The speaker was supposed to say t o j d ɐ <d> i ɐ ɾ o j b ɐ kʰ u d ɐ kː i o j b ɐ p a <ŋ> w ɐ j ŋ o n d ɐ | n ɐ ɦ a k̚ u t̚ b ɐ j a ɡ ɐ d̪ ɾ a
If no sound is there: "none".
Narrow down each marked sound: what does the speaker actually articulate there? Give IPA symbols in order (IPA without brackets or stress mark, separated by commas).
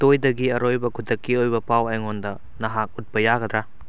ɡ, none